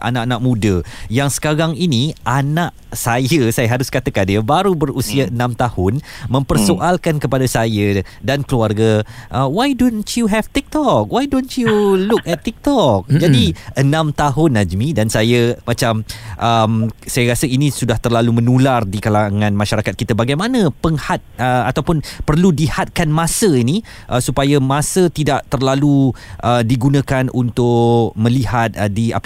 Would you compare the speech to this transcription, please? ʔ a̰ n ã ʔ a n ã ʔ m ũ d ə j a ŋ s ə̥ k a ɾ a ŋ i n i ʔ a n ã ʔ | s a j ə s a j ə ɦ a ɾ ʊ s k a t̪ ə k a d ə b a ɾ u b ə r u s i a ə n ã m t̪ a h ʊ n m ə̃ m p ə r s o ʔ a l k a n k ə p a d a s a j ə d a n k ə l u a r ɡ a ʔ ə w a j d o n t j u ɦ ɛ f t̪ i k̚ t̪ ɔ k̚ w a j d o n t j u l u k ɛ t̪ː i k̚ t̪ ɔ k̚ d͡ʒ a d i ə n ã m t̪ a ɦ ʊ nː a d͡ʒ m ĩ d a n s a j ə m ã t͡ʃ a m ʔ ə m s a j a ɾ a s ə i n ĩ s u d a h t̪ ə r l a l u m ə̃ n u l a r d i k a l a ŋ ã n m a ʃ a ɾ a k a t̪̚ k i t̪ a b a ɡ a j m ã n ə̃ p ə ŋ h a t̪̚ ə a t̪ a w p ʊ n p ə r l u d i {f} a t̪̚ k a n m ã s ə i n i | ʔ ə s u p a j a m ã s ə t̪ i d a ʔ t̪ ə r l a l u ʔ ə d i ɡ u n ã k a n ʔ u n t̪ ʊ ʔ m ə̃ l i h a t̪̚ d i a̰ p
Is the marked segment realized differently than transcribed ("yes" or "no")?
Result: yes